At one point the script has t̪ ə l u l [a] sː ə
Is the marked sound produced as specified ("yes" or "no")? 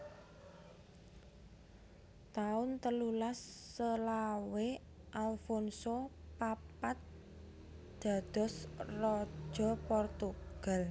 yes